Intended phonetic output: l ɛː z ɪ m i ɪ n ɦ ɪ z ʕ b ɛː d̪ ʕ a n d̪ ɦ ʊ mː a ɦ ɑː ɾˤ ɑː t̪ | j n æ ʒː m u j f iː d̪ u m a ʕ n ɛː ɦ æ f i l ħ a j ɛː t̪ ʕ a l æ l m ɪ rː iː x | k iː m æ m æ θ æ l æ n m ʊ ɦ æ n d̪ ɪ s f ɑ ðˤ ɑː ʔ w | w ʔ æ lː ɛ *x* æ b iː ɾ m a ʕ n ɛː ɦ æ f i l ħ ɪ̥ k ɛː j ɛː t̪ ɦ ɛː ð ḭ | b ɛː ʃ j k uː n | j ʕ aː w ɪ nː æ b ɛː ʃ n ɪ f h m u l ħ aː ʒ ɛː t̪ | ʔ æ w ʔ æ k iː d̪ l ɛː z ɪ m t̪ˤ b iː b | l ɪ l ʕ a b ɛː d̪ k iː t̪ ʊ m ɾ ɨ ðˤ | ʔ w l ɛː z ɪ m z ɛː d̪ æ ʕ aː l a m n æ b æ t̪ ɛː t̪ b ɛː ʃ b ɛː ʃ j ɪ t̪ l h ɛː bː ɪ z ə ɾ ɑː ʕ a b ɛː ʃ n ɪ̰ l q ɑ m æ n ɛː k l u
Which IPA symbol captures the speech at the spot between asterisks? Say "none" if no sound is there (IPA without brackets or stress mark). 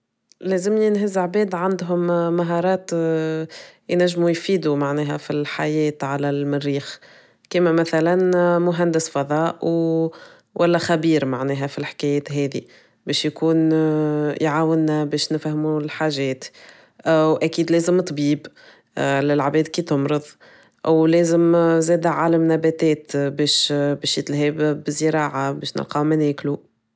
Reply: x